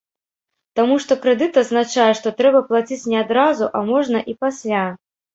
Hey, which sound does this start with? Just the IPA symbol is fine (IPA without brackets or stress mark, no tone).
t̪